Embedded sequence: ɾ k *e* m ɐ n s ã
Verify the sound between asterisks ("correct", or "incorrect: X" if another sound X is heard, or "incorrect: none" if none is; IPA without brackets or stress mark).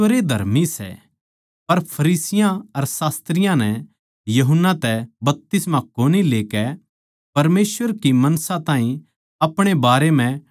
incorrect: i